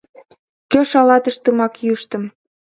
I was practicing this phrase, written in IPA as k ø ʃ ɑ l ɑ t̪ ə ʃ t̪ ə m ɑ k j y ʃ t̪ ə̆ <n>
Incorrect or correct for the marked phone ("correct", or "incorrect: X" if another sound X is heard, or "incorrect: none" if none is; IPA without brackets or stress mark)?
incorrect: m